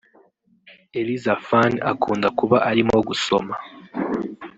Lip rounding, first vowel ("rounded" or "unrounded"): unrounded